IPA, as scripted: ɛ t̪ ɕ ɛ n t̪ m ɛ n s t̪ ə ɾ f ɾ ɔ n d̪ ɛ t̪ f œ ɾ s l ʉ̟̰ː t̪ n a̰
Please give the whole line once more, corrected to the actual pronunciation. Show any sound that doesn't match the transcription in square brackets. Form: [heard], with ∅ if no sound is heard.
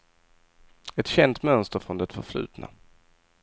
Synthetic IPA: ɛ t̪ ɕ ɛ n t̪ m [œ] n s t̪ ə ɾ f ɾ ɔ n d̪ ɛ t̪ f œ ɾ [f] l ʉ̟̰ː t̪ n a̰